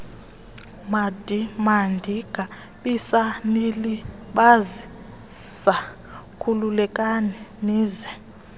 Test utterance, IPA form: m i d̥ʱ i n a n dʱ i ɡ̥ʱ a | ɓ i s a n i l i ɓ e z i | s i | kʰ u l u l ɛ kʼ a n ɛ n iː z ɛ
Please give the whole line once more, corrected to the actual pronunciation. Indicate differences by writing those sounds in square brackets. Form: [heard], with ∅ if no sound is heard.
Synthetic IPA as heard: m [a] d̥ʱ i [m] a n dʱ i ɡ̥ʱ a | ɓ i s a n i l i ɓ [a] z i | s [a] | kʰ u l u l ɛ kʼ a n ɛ n iː z ɛ